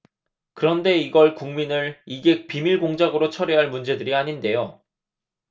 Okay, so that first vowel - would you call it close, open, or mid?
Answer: close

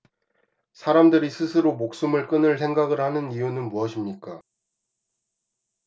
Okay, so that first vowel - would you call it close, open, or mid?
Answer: open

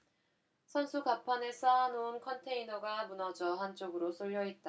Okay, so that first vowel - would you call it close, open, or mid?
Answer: mid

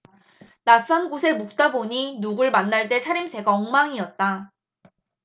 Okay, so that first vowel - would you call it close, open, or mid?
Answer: open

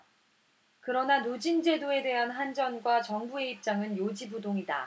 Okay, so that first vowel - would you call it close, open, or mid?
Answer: close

